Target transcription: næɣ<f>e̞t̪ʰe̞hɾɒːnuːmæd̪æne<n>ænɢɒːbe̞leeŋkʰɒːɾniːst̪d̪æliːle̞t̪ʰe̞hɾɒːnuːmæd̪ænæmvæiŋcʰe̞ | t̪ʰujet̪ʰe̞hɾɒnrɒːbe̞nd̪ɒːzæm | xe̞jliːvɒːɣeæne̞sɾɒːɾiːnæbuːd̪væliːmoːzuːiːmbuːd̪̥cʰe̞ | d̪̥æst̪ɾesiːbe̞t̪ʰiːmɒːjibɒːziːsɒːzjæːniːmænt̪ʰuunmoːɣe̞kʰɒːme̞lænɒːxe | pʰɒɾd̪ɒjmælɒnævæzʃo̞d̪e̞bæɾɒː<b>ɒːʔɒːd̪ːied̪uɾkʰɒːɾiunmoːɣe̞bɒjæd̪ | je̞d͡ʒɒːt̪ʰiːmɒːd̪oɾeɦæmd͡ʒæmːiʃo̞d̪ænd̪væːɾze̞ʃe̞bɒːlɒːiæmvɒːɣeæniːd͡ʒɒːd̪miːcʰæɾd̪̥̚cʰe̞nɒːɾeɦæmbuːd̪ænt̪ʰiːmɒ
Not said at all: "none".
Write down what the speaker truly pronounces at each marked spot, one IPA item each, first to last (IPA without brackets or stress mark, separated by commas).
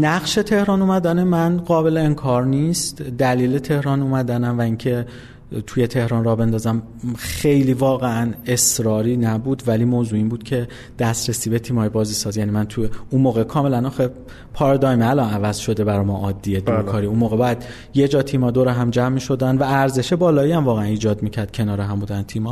ʃ, m, m